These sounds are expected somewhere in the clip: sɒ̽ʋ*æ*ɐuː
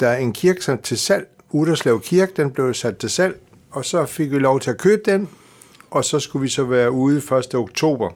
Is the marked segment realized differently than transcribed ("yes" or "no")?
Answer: yes